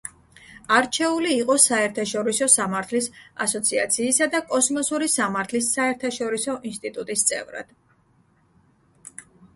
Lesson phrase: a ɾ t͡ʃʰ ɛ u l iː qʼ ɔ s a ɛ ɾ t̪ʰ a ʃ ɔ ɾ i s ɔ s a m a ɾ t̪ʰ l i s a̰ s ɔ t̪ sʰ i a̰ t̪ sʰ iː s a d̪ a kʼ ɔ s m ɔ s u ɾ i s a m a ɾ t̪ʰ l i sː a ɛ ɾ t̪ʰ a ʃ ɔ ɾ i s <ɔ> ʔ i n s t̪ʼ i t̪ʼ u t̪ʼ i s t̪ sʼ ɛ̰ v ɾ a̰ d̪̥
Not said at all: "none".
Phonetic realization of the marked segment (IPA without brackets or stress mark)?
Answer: ɔ